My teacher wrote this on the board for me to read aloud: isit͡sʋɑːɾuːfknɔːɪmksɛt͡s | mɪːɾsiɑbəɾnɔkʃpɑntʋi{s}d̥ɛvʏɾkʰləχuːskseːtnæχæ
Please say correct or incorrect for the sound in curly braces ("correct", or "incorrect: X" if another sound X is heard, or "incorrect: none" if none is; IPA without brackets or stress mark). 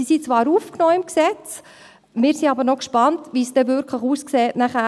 correct